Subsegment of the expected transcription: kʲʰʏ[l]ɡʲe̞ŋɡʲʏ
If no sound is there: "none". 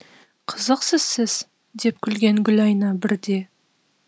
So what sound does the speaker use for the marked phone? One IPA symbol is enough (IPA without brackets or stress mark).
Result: l